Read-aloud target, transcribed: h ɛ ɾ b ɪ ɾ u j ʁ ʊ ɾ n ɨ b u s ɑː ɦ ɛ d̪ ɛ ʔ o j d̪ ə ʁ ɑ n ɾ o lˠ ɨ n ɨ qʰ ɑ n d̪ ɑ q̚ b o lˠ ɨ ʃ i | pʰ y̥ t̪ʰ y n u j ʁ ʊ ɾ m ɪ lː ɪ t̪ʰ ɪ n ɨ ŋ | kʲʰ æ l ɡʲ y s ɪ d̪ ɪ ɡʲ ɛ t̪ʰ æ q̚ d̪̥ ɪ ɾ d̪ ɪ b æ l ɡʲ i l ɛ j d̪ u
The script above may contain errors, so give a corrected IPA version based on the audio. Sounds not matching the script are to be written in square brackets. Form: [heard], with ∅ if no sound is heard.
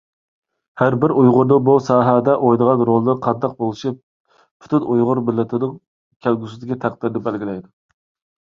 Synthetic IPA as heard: h [æ] ɾ b ɪ ɾ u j ʁ ʊ ɾ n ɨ b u s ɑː ɦ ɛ d̪ ɛ ʔ o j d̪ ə ʁ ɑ n ɾ o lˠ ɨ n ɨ qʰ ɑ n d̪ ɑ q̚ b o lˠ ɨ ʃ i | pʰ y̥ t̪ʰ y n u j ʁ ʊ ɾ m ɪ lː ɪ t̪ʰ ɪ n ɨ ŋ | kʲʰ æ l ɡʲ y s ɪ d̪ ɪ ɡʲ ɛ t̪ʰ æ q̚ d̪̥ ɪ ɾ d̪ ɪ b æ l ɡʲ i l ɛ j d̪ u

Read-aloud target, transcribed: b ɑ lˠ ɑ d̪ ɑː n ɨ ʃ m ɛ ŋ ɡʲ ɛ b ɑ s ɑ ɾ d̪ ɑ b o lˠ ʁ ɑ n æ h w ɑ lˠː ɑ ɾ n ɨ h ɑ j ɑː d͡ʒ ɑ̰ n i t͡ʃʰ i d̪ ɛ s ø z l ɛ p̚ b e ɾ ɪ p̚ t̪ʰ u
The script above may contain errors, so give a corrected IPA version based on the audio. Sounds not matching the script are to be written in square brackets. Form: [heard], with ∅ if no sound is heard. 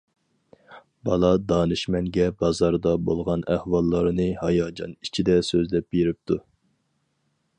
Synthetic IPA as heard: b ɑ lˠ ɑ d̪ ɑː n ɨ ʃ m ɛ ŋ ɡʲ ɛ b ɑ [z] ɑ ɾ d̪ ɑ b o lˠ ʁ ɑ n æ h w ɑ lˠː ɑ ɾ n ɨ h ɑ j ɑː d͡ʒ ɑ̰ n i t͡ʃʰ i d̪ ɛ s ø z l ɛ p̚ b e ɾ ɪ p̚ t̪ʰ u

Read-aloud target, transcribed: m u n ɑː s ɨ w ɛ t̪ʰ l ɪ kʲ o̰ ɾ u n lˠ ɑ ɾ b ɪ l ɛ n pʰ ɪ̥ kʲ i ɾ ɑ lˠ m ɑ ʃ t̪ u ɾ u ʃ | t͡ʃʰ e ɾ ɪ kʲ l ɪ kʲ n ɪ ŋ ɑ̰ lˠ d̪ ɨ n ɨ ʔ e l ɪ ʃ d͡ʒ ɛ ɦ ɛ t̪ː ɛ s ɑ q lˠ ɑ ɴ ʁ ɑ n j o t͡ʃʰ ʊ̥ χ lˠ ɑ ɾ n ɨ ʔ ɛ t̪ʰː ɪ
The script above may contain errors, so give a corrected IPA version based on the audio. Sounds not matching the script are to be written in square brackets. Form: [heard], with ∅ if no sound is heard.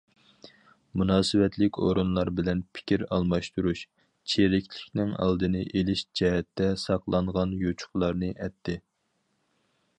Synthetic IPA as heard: m u n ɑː s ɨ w ɛ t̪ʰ l ɪ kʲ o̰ ɾ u n lˠ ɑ ɾ b ɪ l ɛ n pʰ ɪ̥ kʲ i ɾ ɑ lˠ m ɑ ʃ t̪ u ɾ u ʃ | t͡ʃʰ e ɾ ɪ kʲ l ɪ kʲ n ɪ ŋ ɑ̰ lˠ d̪ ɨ n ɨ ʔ e l ɪ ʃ d͡ʒ ɛ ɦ ɛ t̪ː ɛ s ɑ q lˠ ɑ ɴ ʁ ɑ n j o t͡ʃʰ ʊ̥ χ lˠ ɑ ɾ n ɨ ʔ ɛ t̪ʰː ɪ

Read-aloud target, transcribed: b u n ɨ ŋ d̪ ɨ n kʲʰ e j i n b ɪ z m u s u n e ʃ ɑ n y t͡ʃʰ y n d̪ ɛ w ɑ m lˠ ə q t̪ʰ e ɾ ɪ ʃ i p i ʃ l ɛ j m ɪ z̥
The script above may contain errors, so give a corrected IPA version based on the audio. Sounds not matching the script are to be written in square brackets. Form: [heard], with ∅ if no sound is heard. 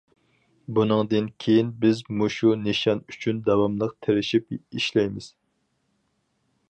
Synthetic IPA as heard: b u n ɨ ŋ d̪ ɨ n kʲʰ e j i n b ɪ z m u [ʃ] u n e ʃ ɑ n y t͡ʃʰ y n d̪ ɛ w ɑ m lˠ ə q t̪ʰ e ɾ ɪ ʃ i p i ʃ l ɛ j m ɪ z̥

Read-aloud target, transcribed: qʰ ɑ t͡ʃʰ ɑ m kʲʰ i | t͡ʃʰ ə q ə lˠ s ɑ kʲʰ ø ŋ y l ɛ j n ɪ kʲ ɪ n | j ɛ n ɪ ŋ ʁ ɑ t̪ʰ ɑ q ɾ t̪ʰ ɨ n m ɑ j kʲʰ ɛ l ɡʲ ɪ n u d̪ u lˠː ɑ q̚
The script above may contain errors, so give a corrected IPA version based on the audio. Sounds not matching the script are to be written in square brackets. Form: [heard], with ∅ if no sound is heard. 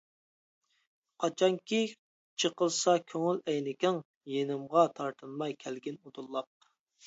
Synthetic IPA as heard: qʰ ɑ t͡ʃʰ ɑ [ŋ] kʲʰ i | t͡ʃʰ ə q ə lˠ s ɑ kʲʰ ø ŋ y l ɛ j n ɪ kʲ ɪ [ŋ] | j [e] n ɪ [m] ʁ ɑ t̪ʰ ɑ [∅] ɾ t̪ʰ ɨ n m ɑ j kʲʰ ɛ l ɡʲ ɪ n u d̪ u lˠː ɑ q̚

